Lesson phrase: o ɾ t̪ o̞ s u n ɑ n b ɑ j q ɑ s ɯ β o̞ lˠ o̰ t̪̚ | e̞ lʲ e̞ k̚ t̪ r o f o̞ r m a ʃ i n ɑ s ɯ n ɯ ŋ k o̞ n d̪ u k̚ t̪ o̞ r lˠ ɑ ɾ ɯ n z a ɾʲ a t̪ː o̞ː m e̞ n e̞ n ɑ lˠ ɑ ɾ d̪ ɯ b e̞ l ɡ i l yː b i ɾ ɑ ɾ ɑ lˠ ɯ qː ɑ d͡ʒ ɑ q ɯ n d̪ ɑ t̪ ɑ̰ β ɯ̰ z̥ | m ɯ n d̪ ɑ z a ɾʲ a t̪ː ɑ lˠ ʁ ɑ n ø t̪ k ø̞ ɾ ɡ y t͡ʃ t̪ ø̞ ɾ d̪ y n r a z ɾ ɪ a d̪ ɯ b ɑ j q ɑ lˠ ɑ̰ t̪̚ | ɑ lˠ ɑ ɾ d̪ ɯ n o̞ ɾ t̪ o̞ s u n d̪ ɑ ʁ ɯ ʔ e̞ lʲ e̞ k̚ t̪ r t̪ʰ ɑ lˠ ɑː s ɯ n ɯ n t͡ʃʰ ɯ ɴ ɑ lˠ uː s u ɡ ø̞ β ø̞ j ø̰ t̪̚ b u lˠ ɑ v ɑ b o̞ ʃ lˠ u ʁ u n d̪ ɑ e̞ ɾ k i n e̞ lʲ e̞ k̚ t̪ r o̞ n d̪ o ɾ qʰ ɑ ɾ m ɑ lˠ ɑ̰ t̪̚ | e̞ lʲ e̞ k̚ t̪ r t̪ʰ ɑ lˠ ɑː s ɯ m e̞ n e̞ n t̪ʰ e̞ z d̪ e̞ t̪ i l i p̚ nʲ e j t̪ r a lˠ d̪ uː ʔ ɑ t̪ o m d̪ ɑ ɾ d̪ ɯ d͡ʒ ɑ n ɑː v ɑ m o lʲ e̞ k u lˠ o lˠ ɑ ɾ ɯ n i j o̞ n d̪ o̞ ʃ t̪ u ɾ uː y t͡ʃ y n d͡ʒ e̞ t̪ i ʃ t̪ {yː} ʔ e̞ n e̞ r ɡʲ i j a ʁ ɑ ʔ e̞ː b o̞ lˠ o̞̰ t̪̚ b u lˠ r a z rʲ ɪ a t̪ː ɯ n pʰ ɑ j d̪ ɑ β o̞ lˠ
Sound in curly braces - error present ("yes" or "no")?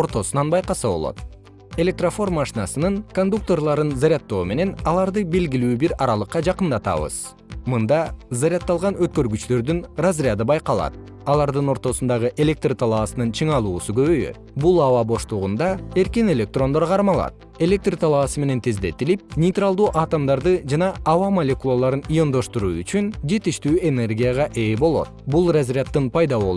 no